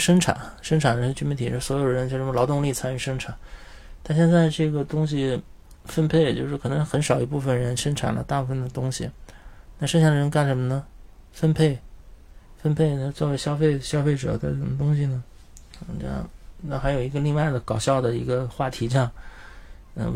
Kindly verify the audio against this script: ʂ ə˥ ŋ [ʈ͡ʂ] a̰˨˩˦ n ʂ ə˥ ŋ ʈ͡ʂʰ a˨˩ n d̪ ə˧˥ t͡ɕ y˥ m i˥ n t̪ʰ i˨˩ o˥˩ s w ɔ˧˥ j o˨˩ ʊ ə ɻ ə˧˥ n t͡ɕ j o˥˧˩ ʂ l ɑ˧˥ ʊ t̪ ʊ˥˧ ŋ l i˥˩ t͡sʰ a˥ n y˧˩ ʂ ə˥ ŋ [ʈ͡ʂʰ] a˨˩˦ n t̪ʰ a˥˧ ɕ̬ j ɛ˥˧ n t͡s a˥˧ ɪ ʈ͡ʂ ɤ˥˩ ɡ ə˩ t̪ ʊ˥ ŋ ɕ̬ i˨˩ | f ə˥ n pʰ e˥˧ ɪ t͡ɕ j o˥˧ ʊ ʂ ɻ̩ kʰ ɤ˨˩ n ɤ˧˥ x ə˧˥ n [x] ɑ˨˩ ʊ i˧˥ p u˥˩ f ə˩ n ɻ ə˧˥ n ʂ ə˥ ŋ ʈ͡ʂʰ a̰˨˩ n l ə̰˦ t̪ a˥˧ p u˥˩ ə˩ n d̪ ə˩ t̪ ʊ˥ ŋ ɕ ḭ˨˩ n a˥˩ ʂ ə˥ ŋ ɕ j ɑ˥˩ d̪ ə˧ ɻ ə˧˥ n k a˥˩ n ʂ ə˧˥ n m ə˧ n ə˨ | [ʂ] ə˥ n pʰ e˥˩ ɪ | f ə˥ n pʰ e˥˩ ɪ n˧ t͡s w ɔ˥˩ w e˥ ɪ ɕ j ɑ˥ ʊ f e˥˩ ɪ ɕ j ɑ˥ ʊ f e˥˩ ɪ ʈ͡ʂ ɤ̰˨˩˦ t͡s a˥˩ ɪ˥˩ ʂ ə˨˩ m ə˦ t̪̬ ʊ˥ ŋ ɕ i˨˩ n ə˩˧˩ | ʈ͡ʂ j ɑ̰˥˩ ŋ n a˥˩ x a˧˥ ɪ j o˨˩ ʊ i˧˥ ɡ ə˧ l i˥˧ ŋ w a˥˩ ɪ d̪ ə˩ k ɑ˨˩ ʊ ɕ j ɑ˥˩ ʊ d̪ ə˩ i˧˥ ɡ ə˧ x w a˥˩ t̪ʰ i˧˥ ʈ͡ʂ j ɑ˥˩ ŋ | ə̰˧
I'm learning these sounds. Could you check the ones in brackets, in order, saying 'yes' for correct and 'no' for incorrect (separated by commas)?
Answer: no, yes, no, no